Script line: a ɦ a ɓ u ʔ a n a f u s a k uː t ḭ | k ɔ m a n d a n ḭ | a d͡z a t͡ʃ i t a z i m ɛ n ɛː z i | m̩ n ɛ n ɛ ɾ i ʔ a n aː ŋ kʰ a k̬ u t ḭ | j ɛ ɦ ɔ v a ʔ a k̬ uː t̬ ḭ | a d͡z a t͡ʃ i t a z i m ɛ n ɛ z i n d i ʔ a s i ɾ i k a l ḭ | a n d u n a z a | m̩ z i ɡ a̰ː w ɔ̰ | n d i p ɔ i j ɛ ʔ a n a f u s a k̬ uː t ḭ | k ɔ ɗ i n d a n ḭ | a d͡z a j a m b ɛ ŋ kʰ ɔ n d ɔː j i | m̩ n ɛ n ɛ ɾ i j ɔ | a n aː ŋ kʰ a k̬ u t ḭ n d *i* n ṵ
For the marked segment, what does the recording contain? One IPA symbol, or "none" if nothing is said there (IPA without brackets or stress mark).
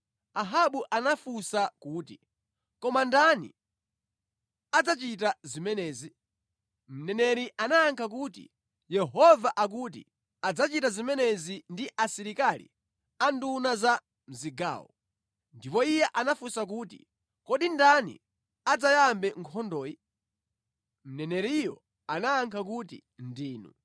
iː